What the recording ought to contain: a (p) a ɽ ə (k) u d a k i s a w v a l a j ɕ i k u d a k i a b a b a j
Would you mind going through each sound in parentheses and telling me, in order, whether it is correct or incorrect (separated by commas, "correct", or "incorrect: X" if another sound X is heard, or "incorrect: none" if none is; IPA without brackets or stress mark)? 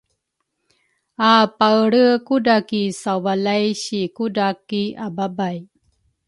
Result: correct, correct